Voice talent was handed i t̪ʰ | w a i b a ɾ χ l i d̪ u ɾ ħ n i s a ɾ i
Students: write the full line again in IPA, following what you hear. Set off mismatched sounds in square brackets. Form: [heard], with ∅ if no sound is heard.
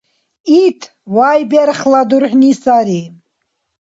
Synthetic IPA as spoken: i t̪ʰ | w a [j] b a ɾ χ l [a] d̪ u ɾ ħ n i s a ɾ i